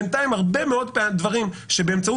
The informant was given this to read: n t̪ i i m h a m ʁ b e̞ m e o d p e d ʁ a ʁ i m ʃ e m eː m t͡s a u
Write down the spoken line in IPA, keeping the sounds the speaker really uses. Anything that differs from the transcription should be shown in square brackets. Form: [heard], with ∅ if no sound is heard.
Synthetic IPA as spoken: n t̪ [a] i m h a [∅] ʁ b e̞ m e o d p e d [v] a ʁ i m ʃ e [b] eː m t͡s a u